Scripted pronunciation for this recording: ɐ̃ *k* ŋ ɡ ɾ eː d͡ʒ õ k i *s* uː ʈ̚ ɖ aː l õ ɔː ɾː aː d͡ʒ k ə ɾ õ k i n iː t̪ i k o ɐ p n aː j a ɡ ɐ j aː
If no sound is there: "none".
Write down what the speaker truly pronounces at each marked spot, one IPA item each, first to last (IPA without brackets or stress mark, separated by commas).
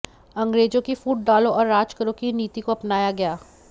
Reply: none, f